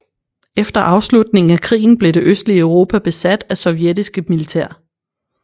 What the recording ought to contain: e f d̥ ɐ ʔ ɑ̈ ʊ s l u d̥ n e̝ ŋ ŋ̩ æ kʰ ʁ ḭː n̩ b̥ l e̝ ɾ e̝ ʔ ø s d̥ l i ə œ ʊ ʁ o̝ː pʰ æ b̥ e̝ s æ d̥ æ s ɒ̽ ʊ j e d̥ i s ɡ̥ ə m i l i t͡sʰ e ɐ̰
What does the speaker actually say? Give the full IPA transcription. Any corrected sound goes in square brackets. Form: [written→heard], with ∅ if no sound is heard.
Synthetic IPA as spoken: e f d̥ ɐ ʔ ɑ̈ ʊ s l u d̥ n e̝ ŋ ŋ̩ æ kʰ ʁ ḭː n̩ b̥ l e̝ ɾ e̝ ʔ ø s d̥ l i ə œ ʊ ʁ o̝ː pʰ æ b̥ e̝ s æ d̥ æ s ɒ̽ ʊ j e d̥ i s ɡ̥ ə m i l i t͡sʰ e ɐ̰